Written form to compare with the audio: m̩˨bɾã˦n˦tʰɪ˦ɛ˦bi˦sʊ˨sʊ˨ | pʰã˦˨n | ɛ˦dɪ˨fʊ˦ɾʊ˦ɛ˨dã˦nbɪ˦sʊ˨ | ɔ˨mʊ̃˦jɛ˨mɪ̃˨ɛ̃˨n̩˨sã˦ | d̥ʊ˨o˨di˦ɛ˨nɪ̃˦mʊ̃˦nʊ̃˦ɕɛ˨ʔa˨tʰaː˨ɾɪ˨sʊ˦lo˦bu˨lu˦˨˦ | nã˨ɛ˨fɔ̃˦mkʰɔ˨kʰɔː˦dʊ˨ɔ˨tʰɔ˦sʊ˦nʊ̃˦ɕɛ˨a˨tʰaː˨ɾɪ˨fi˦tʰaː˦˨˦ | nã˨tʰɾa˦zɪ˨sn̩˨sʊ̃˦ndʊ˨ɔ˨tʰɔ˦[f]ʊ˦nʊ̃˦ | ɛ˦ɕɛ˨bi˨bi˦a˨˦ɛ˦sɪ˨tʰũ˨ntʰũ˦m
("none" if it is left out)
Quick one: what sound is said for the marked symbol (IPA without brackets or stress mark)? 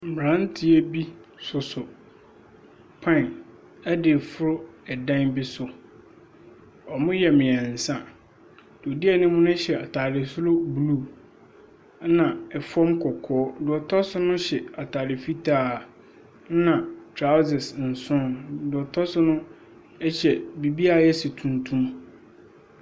s